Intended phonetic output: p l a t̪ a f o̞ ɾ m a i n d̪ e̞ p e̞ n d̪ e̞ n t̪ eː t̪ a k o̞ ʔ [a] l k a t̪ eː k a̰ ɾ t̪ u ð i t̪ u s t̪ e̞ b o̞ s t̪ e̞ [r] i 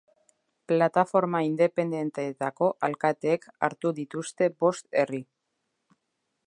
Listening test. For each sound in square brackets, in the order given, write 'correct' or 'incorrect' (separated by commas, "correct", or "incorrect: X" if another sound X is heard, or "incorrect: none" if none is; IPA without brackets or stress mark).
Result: correct, correct